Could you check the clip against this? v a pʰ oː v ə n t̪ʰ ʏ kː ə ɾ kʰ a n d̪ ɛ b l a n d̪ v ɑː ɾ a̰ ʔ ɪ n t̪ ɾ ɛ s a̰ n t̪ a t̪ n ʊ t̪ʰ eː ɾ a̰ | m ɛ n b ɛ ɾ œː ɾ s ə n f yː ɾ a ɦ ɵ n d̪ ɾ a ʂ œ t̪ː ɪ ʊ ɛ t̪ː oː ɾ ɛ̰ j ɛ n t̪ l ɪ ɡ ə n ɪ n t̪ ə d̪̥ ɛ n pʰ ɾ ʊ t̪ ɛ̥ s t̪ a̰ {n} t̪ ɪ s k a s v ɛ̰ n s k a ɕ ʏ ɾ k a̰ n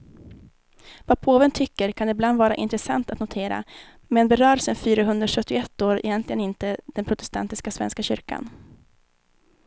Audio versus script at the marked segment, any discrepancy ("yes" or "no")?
no